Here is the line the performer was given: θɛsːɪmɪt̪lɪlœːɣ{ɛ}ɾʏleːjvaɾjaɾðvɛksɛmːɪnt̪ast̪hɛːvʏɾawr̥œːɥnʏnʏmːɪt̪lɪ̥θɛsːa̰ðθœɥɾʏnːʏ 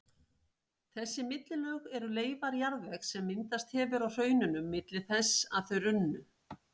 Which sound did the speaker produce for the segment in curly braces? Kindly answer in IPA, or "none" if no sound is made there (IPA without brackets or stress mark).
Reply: ɛ